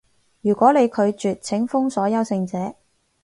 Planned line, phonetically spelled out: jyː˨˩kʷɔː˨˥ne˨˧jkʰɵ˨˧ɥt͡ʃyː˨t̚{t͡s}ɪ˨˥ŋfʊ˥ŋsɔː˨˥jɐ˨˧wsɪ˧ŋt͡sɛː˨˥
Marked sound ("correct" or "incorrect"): incorrect